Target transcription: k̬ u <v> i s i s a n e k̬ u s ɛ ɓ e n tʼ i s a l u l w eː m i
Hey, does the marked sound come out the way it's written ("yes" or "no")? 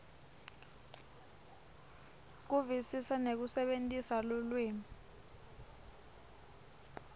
yes